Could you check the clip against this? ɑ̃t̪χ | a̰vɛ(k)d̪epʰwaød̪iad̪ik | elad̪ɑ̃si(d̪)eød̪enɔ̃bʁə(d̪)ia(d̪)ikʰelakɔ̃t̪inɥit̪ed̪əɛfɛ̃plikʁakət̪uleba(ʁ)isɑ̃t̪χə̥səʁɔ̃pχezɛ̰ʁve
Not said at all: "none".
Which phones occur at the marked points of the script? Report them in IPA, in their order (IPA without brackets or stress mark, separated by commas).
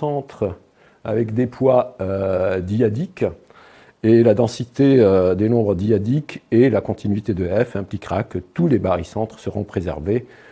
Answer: k, t̪, d̪, d̪, ʁ